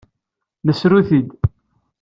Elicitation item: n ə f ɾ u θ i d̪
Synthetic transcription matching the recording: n ə s ɾ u θ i d̪